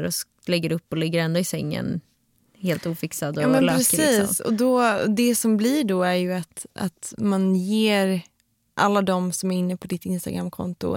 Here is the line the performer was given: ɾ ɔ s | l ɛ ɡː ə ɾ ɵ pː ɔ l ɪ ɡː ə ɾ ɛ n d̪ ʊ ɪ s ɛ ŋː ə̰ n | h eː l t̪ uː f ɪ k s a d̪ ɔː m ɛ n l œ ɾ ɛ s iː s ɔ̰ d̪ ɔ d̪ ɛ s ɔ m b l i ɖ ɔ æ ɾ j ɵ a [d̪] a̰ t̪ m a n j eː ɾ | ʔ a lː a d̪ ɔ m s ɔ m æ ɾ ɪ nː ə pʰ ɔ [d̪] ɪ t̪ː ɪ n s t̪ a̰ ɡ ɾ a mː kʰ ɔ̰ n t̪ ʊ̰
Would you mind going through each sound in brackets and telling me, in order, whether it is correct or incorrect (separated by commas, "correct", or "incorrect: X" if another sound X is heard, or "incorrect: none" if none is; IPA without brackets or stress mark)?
incorrect: t̪, correct